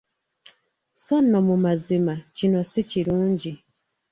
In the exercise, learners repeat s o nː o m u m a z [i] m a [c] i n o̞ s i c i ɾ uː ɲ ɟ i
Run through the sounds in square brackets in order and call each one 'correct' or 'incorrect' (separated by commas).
correct, correct